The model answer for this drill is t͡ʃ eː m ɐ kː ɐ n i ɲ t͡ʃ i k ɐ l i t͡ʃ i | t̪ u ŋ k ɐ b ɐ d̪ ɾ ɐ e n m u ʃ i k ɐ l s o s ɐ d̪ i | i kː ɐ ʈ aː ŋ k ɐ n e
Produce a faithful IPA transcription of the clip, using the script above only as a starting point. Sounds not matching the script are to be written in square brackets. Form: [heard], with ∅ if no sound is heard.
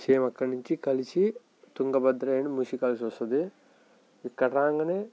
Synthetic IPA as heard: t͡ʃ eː m ɐ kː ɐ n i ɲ t͡ʃ i k ɐ l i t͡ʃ i | t̪ u ŋ [ɡ] ɐ b ɐ d̪ ɾ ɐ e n m u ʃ i k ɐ l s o s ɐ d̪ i | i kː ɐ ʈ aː ŋ [ɡ] ɐ n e